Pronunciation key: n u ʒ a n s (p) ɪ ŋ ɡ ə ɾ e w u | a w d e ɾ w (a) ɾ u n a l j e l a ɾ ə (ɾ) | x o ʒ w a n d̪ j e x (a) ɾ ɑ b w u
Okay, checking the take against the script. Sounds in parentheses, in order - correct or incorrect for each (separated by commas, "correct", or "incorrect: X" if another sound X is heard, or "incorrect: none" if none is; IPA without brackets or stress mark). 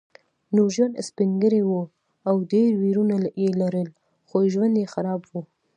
correct, incorrect: i, incorrect: l, correct